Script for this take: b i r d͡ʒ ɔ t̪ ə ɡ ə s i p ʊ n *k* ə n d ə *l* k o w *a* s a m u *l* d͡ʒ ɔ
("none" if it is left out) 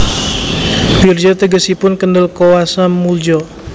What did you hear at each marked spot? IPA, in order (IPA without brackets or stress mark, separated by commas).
k, l, a, l